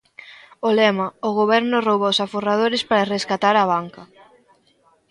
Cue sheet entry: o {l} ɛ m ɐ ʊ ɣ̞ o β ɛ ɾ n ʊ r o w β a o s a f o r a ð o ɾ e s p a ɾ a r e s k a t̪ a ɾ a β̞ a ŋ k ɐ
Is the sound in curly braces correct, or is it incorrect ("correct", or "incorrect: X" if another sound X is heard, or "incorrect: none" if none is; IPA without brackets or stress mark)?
correct